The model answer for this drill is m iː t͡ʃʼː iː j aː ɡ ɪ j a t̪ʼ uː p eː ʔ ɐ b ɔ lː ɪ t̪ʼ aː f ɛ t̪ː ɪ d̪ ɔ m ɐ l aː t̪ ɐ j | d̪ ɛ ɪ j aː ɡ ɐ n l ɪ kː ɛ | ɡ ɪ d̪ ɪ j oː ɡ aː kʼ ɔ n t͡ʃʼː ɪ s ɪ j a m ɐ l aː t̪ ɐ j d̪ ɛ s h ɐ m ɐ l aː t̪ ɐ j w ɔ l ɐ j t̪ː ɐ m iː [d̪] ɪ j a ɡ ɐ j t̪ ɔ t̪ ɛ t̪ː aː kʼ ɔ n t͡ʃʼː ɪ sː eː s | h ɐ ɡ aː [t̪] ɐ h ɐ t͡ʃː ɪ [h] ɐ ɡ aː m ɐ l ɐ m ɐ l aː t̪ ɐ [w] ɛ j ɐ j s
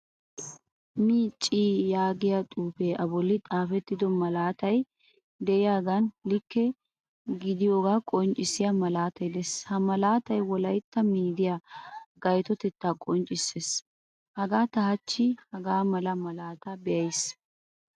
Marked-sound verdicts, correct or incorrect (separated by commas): correct, correct, correct, incorrect